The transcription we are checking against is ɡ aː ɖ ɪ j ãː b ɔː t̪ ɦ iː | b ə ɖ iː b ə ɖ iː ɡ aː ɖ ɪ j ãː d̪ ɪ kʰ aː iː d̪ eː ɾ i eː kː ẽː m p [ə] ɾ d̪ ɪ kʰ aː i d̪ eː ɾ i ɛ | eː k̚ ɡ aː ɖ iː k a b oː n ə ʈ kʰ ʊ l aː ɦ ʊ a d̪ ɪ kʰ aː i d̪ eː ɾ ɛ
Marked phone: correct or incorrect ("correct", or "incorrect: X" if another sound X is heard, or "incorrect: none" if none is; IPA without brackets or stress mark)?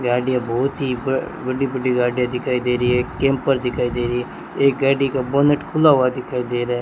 correct